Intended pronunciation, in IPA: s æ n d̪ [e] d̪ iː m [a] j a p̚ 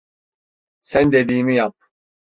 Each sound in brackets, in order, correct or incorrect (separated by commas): correct, incorrect